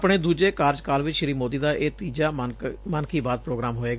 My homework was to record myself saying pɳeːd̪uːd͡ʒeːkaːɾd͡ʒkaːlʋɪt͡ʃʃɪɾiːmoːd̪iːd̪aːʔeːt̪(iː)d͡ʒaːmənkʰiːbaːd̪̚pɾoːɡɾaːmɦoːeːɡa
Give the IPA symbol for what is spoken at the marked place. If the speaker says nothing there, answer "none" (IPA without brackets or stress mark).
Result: iː